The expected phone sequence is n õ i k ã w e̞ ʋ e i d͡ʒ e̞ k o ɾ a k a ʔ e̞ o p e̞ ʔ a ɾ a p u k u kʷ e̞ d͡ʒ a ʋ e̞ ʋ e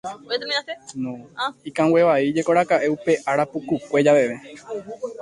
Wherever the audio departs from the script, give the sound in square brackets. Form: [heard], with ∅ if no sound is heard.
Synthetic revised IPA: n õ i k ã w e̞ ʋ [a] i d͡ʒ e̞ k o ɾ a k a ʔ e̞ [u] p e̞ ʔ a ɾ a p u k u kʷ e̞ d͡ʒ a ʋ e̞ ʋ e